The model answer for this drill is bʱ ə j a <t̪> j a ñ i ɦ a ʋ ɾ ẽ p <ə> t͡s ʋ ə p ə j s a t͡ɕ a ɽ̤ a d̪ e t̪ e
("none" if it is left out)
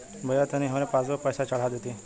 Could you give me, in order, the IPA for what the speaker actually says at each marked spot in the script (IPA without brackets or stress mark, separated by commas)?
t̪, a